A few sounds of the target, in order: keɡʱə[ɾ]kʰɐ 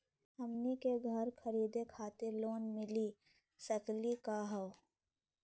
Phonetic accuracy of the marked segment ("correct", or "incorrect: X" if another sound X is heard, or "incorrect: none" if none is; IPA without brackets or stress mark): correct